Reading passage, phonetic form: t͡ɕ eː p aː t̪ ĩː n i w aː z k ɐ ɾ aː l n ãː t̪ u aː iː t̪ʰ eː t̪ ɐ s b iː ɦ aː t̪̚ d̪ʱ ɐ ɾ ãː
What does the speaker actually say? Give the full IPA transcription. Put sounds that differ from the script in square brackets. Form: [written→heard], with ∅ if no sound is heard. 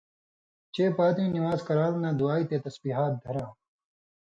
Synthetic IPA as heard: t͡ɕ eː p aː t̪ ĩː n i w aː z k ɐ ɾ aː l n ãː [t̪→d̪] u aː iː [t̪ʰ→t̪] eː t̪ ɐ s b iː ɦ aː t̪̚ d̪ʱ ɐ ɾ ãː